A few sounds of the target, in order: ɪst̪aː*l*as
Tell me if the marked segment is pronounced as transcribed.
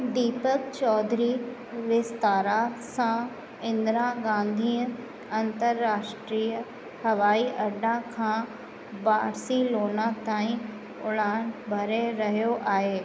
no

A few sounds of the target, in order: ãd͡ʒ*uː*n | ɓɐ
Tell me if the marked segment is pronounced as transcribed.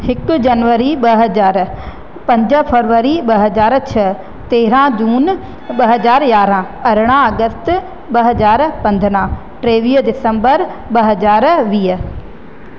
yes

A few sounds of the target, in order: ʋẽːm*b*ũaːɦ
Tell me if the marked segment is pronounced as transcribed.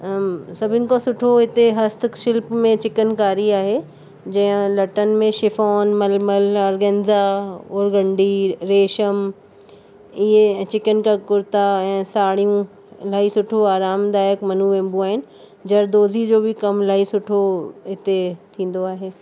yes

